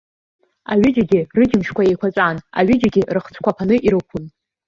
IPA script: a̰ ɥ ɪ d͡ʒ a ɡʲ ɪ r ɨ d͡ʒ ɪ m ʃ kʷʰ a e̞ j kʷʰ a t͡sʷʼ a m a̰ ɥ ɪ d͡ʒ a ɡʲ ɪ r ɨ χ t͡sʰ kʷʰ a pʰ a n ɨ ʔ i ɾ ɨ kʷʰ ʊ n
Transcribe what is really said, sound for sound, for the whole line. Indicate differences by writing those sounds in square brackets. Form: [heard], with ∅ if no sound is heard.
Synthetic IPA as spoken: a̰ ɥ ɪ d͡ʒ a ɡʲ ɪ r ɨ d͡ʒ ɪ m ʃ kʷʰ a e̞ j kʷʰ a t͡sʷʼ a [n] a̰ ɥ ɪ d͡ʒ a ɡʲ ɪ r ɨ χ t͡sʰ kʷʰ a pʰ a n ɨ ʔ i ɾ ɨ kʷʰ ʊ n